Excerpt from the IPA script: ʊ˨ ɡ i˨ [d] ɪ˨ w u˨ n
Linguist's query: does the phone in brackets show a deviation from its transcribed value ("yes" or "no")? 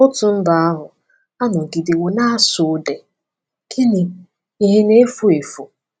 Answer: no